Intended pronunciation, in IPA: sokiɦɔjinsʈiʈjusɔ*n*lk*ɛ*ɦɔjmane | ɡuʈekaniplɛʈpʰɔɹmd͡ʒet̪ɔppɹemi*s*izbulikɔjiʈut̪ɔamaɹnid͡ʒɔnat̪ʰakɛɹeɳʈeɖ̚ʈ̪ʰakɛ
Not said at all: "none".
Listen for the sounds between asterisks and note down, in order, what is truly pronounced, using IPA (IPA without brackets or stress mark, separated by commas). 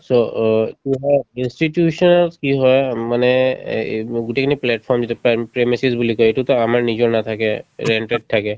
n, i, s